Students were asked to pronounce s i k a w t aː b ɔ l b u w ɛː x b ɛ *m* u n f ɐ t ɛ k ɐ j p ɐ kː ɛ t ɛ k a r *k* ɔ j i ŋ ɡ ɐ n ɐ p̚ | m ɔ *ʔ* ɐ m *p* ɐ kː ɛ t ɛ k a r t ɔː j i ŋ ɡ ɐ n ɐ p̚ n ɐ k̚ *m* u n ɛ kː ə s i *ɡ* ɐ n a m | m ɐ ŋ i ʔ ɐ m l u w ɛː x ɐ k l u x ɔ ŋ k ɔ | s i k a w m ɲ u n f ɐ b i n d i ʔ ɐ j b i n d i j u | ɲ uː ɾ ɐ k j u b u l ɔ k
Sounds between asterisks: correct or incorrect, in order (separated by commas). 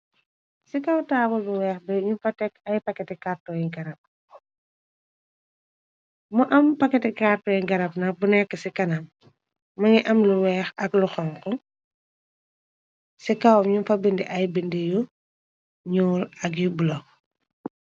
incorrect, incorrect, correct, correct, incorrect, incorrect